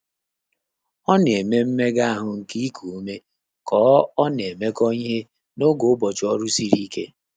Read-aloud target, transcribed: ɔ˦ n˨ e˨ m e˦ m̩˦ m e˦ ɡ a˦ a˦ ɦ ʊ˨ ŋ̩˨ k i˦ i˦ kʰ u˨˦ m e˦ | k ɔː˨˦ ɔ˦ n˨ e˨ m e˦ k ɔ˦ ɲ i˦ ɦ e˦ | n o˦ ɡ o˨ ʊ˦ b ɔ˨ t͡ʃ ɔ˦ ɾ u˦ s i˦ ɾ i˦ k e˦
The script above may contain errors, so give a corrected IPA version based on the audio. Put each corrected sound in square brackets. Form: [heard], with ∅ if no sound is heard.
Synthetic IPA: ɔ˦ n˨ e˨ m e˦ m̩˦ m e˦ ɡ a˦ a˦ ɦ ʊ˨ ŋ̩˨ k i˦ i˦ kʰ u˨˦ m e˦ | k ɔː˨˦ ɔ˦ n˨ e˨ m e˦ k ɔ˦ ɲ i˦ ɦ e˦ | n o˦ ɡ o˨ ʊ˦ b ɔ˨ t͡ʃ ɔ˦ ɾ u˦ s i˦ ɾ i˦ k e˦